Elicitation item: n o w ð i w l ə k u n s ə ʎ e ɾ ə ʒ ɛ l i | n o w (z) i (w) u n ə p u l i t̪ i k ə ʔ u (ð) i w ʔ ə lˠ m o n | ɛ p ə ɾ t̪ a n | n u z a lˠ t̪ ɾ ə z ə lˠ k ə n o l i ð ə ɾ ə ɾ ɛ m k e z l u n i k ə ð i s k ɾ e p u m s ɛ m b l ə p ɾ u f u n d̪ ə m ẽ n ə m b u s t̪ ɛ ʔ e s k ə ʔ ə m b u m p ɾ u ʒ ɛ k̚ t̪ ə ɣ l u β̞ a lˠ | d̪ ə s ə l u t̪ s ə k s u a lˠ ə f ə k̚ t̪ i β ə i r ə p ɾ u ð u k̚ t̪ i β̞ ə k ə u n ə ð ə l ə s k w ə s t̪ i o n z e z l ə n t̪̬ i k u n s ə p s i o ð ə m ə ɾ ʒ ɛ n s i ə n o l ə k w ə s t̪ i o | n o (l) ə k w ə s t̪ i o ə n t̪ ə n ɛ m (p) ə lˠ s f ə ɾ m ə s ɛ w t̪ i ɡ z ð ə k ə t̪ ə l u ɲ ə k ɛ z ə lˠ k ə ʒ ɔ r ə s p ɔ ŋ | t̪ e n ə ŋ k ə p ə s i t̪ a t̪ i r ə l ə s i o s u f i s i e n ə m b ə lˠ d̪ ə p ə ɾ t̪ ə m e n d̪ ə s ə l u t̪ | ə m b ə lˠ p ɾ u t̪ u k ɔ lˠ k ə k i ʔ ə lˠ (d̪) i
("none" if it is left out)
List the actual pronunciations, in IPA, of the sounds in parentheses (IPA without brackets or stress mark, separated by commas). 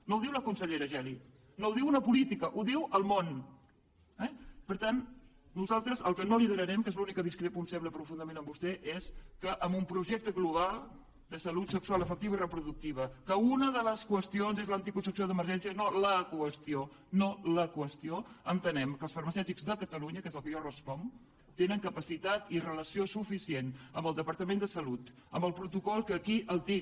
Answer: ð, w, ð, l, k, t̪